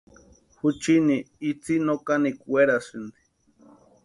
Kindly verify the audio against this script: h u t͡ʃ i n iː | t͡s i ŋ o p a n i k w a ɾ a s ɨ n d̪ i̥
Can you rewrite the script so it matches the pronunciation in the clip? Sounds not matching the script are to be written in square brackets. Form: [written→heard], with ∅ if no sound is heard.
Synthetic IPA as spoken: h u t͡ʃ i n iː | t͡s i [ŋ→n] o [p→k] a n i k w [a→e] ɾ a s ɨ n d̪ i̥